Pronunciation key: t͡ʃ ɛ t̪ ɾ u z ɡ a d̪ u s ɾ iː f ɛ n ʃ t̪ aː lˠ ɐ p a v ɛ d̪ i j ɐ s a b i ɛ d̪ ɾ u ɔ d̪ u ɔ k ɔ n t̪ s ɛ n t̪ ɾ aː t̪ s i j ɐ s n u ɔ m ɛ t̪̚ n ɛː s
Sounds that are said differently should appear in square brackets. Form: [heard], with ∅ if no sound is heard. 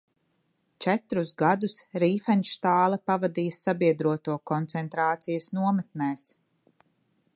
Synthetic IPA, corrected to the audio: t͡ʃ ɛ t̪ ɾ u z ɡ a d̪ u s ɾ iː f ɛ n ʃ t̪ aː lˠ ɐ p a v [a] d̪ i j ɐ s a b i ɛ d̪ ɾ u ɔ [t̪] u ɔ k ɔ n t̪ s ɛ n t̪ ɾ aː t̪ s i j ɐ s n u ɔ m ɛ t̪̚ n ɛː s